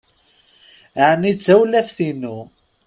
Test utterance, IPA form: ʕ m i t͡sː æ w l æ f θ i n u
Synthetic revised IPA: ʕ n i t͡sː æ w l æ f θ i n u